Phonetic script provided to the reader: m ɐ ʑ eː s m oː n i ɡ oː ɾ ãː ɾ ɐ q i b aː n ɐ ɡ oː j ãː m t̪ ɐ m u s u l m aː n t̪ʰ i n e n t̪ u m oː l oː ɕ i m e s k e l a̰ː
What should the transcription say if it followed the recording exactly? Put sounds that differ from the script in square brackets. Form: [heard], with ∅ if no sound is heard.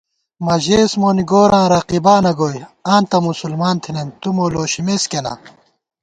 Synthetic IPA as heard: m ɐ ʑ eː s m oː n i ɡ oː ɾ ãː ɾ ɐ q i b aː n ɐ ɡ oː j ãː [n] t̪ ɐ m u s u l m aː n t̪ʰ i n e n t̪ u m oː l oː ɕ i m e s k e l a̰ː

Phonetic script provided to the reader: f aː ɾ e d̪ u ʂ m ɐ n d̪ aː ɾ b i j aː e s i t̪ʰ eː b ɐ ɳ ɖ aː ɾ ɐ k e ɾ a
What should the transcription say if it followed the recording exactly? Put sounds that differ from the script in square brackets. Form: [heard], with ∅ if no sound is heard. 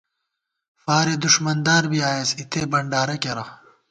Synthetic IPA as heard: f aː ɾ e d̪ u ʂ m ɐ n d̪ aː ɾ b i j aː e s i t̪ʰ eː b ɐ ɳ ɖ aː ɾ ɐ k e ɾ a

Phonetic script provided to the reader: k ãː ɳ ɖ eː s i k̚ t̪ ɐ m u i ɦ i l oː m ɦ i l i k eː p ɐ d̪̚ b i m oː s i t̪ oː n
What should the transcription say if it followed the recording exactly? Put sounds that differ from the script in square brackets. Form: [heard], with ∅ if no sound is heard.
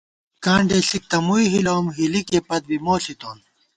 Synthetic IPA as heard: k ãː ɳ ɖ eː s i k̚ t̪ ɐ m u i ɦ i l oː m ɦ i l i k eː p ɐ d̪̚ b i m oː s i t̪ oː n

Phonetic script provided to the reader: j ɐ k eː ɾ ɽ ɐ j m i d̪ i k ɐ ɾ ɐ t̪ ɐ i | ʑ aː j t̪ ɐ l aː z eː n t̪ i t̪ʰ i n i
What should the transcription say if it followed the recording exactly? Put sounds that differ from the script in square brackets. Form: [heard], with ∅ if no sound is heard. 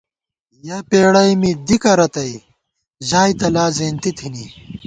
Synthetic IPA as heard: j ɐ [p] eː [∅] ɽ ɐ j m i d̪ i k ɐ ɾ ɐ t̪ ɐ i | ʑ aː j t̪ ɐ l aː z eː n t̪ i t̪ʰ i n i

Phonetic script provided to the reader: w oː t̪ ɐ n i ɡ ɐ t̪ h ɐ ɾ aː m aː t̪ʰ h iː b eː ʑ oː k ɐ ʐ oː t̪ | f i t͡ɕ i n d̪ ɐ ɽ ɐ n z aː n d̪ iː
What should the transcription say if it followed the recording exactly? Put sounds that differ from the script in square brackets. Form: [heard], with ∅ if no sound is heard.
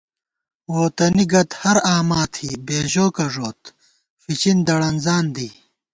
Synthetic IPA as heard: w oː t̪ ɐ n i ɡ ɐ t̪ h ɐ ɾ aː m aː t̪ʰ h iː b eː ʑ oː k ɐ ʐ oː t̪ | f i t͡ɕ i n d̪ ɐ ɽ ɐ n z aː n d̪ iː

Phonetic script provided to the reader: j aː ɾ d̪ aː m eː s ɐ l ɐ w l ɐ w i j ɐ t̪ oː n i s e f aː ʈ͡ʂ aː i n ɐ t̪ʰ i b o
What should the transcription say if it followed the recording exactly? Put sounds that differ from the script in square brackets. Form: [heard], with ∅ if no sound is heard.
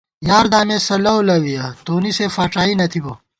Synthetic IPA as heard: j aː ɾ d̪ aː m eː s ɐ l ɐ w l ɐ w i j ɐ t̪ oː n i s e f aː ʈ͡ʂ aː i n ɐ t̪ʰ i b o

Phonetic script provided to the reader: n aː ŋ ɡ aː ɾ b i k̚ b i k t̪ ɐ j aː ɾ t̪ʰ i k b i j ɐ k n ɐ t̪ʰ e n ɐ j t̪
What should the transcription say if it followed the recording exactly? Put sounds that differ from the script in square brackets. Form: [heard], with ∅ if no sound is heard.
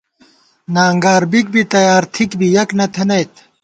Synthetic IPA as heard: n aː ŋ ɡ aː ɾ b i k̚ b i [∅] t̪ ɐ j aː ɾ t̪ʰ i k b i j ɐ k n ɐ t̪ʰ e n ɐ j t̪

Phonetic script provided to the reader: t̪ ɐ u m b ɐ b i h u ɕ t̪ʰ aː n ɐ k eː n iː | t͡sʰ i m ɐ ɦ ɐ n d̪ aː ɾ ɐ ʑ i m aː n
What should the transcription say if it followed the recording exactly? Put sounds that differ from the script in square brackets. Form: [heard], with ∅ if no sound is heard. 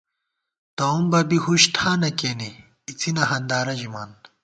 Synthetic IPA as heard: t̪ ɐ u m b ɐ b i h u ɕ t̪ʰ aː n ɐ k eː n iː | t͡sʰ i [n] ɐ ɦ ɐ n d̪ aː ɾ ɐ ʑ i m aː n

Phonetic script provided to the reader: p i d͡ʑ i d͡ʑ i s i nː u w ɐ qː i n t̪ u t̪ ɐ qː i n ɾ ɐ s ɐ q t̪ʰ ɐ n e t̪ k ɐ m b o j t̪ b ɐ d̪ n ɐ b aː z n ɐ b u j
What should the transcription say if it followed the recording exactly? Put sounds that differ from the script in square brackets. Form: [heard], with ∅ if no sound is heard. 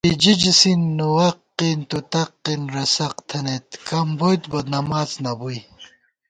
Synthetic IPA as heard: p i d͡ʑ i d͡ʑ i s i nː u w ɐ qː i n t̪ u t̪ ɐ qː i n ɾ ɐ s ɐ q t̪ʰ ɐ n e t̪ k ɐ m b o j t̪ b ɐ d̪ n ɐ [m] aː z n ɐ b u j

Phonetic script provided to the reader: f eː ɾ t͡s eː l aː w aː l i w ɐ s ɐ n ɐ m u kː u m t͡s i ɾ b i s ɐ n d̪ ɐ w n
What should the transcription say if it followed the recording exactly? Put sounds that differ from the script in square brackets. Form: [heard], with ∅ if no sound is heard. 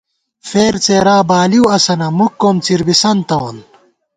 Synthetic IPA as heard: f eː ɾ t͡s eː [ɾ] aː [b] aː l i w ɐ s ɐ n ɐ m u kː [o] m t͡s i ɾ b i s ɐ n [t̪] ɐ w n

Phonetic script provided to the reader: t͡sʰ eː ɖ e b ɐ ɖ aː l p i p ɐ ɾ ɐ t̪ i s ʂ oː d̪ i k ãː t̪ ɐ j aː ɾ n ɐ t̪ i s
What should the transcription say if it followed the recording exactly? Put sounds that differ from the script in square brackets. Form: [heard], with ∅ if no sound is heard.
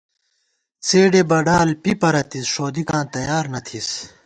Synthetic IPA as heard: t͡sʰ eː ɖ e b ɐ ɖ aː l p i p ɐ ɾ ɐ t̪ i s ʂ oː d̪ i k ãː t̪ ɐ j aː ɾ n ɐ [t̪ʰ] i s

